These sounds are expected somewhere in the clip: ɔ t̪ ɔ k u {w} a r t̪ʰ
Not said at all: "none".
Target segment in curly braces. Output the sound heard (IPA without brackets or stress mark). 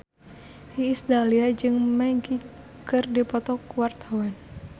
w